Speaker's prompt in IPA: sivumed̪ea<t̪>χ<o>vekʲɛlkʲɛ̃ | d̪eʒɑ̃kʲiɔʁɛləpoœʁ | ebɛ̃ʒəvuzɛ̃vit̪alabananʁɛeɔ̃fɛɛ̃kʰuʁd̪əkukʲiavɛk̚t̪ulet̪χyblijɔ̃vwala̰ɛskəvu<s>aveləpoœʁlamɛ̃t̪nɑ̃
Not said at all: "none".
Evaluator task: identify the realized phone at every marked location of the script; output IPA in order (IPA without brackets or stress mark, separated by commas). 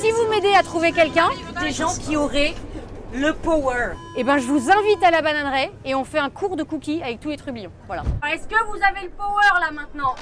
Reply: t̪, u, z